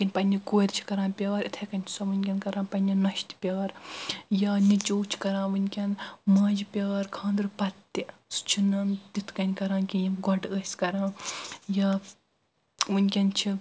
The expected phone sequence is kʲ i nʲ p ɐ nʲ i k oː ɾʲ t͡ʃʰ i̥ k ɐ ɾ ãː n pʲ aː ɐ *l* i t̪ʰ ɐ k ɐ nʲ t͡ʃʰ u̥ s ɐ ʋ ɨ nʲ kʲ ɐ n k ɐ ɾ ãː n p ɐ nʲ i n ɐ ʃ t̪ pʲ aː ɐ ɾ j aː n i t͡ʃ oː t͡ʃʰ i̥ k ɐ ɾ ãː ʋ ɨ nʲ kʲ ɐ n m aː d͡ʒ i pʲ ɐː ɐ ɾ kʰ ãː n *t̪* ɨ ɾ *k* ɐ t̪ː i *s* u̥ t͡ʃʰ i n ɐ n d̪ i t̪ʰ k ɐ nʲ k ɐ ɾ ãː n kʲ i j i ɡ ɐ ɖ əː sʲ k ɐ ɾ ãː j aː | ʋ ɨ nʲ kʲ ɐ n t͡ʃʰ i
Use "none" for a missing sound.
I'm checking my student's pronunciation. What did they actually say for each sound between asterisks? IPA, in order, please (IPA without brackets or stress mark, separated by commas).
ɾ, d̪, p, s